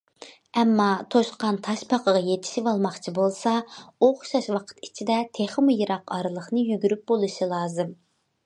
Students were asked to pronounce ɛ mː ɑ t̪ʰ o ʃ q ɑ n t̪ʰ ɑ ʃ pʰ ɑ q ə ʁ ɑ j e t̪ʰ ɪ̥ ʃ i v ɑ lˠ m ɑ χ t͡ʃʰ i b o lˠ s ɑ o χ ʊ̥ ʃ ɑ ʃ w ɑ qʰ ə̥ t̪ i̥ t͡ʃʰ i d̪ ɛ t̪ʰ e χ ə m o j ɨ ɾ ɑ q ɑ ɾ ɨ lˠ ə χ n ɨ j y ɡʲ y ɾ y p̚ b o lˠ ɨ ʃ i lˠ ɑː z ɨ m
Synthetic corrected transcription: ɛ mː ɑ t̪ʰ o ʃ q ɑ n t̪ʰ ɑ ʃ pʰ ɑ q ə ʁ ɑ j e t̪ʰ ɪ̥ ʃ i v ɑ lˠ m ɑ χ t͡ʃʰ i b o lˠ s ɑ o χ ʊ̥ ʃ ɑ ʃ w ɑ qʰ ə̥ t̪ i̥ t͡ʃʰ i d̪ ɛ t̪ʰ e χ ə m u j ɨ ɾ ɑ q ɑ ɾ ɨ lˠ ə χ n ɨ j y ɡʲ y ɾ y p̚ b o lˠ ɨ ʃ i lˠ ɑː z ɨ m

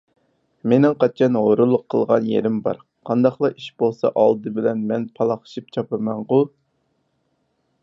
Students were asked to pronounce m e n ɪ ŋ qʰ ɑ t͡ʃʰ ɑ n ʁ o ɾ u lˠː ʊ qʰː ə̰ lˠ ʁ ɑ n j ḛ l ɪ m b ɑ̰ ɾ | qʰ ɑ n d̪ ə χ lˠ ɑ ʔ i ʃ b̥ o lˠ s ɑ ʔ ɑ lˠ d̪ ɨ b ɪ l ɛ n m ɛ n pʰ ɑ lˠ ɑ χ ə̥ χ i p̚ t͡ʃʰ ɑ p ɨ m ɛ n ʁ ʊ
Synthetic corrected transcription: m e n ɪ ŋ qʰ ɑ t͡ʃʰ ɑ n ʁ o ɾ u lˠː ʊ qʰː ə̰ lˠ ʁ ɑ n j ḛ ɾ ɪ m b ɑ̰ ɾ | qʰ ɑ n d̪ ɑ χ lˠ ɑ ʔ i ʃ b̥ o lˠ s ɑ ʔ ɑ lˠ d̪ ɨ b ɪ l ɛ n m ɛ n pʰ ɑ lˠ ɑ χ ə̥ ʃ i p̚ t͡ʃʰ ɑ p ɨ m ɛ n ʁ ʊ

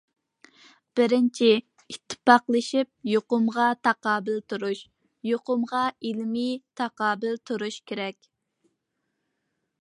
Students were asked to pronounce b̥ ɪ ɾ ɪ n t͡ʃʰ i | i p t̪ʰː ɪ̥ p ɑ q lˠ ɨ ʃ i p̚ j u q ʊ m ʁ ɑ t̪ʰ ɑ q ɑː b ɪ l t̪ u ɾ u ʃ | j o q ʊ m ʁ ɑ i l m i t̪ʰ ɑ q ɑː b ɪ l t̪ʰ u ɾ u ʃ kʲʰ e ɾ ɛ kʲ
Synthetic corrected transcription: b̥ ɪ ɾ ɪ n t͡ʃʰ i | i t̪ʰː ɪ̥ p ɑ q lˠ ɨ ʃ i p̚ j o q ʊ m ʁ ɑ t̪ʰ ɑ q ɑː b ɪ l t̪ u ɾ u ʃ | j o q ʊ m ʁ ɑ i l m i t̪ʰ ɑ q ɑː b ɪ l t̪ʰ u ɾ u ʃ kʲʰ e ɾ ɛ kʲ

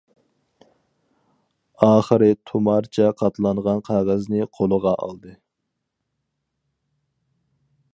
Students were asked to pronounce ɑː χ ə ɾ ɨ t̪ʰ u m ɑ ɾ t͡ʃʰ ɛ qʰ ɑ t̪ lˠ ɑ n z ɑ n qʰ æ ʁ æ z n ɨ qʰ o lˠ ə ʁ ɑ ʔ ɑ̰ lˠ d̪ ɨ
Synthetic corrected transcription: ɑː χ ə ɾ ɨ t̪ʰ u m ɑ ɾ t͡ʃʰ ɛ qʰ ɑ t̪ lˠ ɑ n ʁ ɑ n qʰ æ ʁ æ z n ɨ qʰ o lˠ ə ʁ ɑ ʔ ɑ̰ lˠ d̪ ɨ

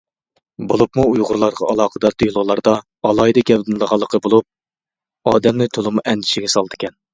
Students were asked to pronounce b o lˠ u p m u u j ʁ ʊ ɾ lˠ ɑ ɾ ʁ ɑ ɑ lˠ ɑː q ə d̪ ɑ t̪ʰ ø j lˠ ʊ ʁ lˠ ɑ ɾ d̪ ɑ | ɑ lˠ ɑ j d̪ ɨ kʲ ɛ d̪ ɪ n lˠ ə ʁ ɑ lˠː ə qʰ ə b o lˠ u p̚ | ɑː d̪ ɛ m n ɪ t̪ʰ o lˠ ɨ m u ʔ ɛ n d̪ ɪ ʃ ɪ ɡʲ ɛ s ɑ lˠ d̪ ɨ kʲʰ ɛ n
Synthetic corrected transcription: b o lˠ u p m u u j ʁ ʊ ɾ lˠ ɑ ɾ ʁ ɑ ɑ lˠ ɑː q ə d̪ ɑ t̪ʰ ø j lˠ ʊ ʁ lˠ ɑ ɾ d̪ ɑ | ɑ lˠ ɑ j d̪ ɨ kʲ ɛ d̪ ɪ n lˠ ə ʁ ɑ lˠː ə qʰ ə b o lˠ u p̚ | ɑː d̪ ɛ m n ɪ t̪ʰ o lˠ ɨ m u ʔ ɛ n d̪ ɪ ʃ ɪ ɡʲ ɛ s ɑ lˠ d̪ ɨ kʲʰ ɛ n

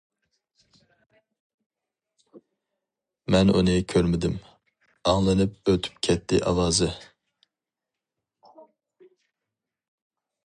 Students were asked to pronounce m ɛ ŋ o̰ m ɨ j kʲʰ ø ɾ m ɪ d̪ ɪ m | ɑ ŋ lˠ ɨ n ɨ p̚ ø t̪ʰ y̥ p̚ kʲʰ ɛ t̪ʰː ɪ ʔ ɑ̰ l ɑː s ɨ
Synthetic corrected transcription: m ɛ n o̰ n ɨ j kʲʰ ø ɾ m ɪ d̪ ɪ m | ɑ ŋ lˠ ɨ n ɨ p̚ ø t̪ʰ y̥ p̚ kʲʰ ɛ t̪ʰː ɪ ʔ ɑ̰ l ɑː z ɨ

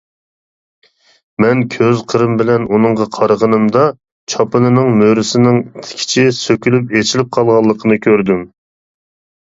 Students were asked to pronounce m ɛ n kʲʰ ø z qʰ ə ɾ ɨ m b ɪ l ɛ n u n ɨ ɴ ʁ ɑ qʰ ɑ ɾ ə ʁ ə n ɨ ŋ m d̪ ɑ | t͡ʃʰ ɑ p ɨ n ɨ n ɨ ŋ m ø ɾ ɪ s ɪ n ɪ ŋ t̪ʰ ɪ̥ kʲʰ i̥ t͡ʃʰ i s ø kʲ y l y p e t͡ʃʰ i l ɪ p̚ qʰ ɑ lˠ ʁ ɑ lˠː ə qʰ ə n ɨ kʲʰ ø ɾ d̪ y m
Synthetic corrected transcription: m ɛ n kʲʰ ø z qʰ ə ɾ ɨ m b ɪ l ɛ n u n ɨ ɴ ʁ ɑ qʰ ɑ ɾ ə ʁ ə n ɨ m d̪ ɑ | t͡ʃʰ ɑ p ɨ n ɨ n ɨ ŋ m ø ɾ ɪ s ɪ n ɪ ŋ t̪ʰ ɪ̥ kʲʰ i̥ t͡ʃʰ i s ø kʲ y l y p e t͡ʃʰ i l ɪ p̚ qʰ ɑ lˠ ʁ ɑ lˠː ə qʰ ə n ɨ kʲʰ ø ɾ d̪ y m

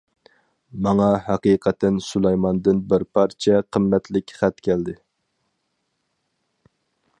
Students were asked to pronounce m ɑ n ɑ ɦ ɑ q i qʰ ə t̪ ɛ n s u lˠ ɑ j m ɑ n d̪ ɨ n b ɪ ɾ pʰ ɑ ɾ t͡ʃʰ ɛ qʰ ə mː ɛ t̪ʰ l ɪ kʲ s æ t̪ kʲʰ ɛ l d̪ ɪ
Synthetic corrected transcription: m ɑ ŋ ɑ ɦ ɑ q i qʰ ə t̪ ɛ n s u lˠ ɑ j m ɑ n d̪ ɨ n b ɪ ɾ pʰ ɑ ɾ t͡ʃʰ ɛ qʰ ə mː ɛ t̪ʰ l ɪ kʲ χ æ t̪ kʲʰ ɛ l d̪ ɪ

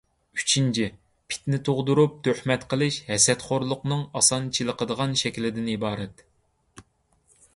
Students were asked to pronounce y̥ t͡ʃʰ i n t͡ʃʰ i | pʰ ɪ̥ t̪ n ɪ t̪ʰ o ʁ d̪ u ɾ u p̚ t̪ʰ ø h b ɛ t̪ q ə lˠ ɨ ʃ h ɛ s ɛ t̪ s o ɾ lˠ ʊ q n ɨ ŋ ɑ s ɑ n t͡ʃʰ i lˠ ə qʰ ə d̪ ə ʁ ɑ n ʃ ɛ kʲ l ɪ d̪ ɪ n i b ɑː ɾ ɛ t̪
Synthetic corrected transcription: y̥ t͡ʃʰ i n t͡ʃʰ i | pʰ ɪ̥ t̪ n ɪ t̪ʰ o ʁ d̪ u ɾ u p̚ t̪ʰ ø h m ɛ t̪ q ə lˠ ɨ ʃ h ɛ s ɛ t̪ χ o ɾ lˠ ʊ q n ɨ ŋ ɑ s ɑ n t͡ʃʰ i lˠ ə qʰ ə d̪ ə ʁ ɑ n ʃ ɛ kʲ l ɪ d̪ ɪ n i b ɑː ɾ ɛ t̪

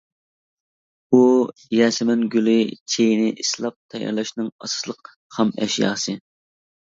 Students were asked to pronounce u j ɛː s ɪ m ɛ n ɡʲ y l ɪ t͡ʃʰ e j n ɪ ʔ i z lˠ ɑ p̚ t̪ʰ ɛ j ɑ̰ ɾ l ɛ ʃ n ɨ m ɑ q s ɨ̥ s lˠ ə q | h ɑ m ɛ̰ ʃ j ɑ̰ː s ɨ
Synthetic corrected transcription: u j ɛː s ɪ m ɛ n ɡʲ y l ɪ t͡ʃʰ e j n ɪ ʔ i s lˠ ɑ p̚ t̪ʰ ɛ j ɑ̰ ɾ l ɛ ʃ n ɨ ŋ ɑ s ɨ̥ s lˠ ə q | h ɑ m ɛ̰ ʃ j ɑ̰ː s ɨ

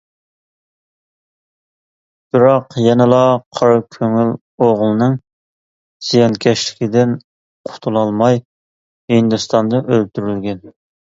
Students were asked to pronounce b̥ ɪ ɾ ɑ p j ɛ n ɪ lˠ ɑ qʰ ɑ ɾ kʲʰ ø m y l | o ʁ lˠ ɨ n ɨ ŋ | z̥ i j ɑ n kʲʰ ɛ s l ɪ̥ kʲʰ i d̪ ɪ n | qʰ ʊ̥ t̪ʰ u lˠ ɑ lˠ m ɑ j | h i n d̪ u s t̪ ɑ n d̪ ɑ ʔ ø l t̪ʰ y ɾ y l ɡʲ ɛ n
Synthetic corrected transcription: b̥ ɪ ɾ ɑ q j ɛ n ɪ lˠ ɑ qʰ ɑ ɾ kʲʰ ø ŋ y l | o ʁ lˠ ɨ n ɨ ŋ | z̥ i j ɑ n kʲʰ ɛ ʃ l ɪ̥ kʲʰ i d̪ ɪ n | qʰ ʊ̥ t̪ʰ u lˠ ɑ lˠ m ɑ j | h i n d̪ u s t̪ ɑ n d̪ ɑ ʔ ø l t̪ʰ y ɾ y l ɡʲ ɛ n

